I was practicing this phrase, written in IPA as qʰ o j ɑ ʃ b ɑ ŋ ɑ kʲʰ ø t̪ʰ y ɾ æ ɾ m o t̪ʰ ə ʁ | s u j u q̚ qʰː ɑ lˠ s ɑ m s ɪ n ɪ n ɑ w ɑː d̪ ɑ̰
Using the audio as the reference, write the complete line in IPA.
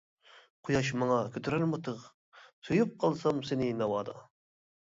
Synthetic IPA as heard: qʰ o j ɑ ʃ m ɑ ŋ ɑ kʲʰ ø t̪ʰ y ɾ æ ɾ m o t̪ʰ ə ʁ | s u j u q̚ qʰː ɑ lˠ s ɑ m s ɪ n ɪ n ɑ w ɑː d̪ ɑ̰